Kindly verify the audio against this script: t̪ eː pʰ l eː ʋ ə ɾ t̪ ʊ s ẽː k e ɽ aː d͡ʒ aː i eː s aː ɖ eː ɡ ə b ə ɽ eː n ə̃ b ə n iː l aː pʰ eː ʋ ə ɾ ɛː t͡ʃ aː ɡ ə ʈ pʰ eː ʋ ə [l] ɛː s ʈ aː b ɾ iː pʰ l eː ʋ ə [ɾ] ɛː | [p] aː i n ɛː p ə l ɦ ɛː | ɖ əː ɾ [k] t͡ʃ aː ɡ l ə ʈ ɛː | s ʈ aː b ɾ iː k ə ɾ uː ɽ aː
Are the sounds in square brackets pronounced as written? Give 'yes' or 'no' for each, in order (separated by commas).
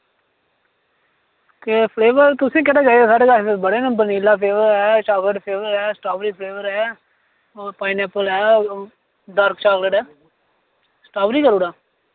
no, yes, yes, yes